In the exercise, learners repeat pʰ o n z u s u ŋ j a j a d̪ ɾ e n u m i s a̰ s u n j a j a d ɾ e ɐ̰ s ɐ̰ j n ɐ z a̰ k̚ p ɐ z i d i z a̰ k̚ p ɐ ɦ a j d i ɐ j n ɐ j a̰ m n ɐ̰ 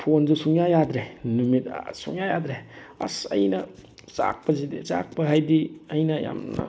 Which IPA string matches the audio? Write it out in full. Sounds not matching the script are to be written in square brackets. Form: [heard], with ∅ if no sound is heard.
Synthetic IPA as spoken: pʰ o n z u s u ŋ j a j a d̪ ɾ e n u m i [t] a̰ s u [ŋ] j a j a d ɾ e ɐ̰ s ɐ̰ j n ɐ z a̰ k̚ p ɐ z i d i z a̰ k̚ p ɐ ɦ a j d i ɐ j n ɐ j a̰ m n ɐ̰